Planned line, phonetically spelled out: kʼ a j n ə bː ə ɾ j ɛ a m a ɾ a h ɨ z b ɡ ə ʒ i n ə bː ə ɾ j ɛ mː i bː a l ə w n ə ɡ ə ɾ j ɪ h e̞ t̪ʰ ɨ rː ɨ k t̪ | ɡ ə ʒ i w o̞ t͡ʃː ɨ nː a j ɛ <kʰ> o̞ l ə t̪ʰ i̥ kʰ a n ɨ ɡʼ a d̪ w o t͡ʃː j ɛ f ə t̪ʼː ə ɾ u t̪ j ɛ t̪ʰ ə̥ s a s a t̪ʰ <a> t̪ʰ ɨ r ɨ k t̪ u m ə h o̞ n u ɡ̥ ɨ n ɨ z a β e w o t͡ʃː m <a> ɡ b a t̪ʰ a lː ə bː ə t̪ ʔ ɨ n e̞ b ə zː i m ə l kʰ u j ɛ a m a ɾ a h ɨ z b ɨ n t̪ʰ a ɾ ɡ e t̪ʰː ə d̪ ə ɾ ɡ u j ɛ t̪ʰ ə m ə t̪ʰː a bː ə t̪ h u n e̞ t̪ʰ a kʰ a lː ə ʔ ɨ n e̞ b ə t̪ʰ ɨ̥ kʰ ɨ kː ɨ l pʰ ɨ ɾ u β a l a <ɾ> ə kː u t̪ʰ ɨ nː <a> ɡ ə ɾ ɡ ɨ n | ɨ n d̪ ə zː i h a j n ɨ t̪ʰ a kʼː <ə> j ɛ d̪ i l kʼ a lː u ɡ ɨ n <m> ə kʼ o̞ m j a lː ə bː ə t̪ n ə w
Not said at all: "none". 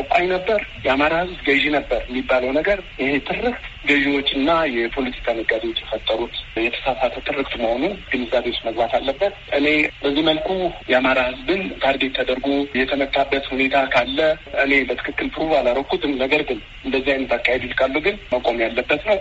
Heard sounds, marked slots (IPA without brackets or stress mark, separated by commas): pʰ, ə, ə, ɾ, ə, a, m